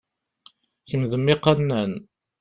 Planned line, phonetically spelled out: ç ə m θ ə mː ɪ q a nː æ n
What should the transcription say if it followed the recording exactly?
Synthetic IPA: ç ə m ð ə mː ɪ q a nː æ n